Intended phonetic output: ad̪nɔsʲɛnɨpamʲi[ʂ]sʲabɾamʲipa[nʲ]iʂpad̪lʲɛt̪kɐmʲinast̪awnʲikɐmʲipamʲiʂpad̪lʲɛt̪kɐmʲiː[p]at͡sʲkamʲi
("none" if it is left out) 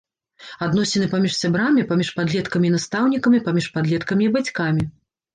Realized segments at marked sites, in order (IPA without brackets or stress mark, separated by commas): ʂ, mʲ, b